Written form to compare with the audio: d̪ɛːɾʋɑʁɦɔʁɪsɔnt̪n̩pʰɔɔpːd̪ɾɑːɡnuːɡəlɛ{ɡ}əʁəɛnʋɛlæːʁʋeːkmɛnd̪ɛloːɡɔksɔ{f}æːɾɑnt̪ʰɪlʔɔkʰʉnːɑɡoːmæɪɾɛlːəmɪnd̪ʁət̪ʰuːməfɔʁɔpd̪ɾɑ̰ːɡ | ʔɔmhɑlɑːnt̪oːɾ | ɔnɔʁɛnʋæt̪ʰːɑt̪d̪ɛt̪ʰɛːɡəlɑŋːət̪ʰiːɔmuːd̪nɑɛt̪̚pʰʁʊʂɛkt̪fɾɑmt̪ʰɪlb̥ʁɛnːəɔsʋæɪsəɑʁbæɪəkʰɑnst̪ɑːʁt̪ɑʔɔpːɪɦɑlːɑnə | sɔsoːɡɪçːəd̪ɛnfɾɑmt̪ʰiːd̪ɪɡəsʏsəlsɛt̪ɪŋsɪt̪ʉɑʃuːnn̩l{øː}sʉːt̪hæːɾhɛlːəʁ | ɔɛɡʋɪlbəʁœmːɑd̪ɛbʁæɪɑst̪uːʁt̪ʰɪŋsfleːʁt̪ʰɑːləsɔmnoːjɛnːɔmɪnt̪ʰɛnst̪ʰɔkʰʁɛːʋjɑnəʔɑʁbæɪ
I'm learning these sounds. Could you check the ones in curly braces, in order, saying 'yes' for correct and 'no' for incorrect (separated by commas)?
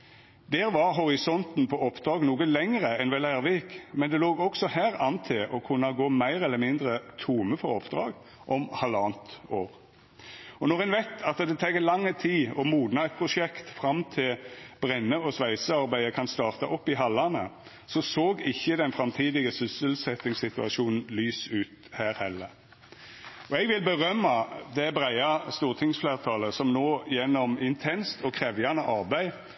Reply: no, no, no